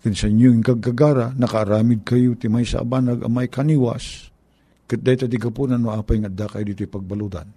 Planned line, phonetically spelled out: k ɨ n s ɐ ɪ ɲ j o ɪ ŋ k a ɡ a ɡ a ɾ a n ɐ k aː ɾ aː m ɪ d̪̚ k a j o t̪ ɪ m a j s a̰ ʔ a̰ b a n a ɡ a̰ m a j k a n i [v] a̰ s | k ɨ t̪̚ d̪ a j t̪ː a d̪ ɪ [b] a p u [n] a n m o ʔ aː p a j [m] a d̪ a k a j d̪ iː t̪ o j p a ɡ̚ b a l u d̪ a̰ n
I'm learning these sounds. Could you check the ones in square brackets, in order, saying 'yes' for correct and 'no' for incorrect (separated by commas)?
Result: no, no, yes, no